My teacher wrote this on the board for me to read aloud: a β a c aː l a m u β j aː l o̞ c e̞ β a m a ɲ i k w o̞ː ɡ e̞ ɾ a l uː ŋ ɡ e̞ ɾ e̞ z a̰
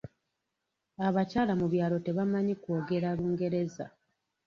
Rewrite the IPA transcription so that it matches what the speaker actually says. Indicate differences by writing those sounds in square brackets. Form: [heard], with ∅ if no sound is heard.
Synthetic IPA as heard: a β a c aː l a m u β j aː l o̞ [t] e̞ β a m a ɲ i k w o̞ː ɡ e̞ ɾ a l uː ŋ ɡ e̞ ɾ e̞ z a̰

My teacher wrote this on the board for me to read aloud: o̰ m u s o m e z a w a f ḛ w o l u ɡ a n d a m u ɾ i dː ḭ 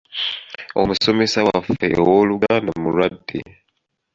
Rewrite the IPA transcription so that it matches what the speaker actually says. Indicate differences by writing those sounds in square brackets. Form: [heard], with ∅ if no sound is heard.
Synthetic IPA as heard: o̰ m u s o m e [s] a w a f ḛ w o l u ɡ a n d a m u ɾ [a] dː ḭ

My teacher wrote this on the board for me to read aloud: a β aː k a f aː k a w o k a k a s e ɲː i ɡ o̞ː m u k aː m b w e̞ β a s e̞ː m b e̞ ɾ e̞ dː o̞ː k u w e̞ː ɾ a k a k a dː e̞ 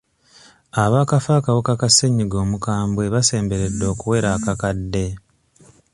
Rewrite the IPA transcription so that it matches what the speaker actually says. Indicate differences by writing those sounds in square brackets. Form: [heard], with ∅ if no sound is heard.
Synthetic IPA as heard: a β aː k a f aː k a w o k a k a s e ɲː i ɡ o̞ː m u k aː m b w e̞ β a s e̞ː m b e̞ ɾ e̞ dː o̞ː k u w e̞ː ɾ a k a k a dː e̞

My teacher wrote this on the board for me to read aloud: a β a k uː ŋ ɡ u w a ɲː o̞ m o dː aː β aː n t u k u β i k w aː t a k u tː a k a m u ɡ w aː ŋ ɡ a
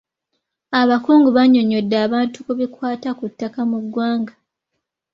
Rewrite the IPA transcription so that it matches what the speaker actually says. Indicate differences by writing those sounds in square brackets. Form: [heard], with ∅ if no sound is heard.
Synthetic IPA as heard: a β a k uː ŋ ɡ u [β] a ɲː o̞ [ɲ] o dː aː β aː n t u k u β i k w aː t a k u tː a k a m u ɡ w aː ŋ ɡ a

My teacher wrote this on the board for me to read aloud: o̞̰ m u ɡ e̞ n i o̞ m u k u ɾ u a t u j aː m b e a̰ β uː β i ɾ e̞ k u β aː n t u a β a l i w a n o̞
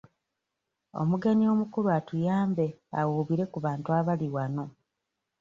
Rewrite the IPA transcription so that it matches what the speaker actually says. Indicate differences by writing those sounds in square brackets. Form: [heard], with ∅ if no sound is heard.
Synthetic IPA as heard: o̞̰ m u ɡ e̞ n i o̞ m u k u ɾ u a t u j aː m b e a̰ [w] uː β i ɾ e̞ k u β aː n t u a β a l i w a n o̞

